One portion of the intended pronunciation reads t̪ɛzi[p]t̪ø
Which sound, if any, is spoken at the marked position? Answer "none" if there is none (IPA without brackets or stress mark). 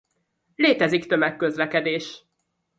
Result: k